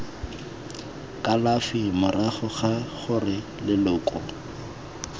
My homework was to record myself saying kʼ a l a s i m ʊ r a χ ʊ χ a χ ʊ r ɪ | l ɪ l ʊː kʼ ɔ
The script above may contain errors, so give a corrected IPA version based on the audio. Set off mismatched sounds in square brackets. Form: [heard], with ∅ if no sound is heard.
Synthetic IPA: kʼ a l a [f] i m ʊ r a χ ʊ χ a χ ʊ r ɪ | l ɪ l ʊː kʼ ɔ